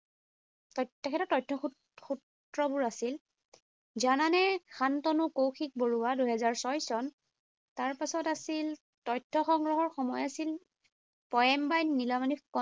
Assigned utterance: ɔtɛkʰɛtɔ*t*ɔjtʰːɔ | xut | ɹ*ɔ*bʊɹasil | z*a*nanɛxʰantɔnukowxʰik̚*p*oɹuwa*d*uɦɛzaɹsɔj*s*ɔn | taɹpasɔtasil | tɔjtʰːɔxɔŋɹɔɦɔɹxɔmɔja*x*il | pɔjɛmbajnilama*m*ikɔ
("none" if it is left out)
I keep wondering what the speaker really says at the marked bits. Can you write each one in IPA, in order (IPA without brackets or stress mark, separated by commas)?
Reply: t, ɔ, a, b, d, s, s, n